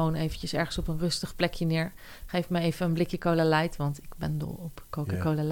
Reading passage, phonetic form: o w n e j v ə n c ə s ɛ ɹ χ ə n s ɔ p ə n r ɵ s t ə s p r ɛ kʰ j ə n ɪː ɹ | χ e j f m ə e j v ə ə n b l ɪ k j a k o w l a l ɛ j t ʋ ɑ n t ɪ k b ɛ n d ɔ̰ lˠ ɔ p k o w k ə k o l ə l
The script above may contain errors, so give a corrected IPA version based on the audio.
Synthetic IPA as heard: o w n e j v ə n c ə s ɛ ɹ χ ə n s ɔ p ə n r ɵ s t ə χ p l ɛ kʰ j ə n ɪː ɹ | χ e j f m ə e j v ə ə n b l ɪ k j ə k o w l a l ɛ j t ʋ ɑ n t ɪ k b ɛ n d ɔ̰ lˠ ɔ p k o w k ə k o l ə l